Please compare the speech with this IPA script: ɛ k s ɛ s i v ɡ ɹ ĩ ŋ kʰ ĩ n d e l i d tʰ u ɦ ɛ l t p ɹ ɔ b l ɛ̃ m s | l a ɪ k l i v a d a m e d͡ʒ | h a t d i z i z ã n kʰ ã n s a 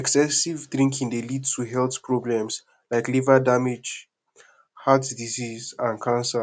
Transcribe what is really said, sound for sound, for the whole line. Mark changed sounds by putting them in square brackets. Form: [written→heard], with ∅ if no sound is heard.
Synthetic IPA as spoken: ɛ k s ɛ s i v [ɡ→d] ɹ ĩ ŋ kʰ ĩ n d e l i d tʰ u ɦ ɛ l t p ɹ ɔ b l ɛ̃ m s | l a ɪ k l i v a d a m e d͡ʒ | h a t d i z i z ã n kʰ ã n s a